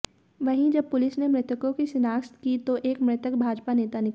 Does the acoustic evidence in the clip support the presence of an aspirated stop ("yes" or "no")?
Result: no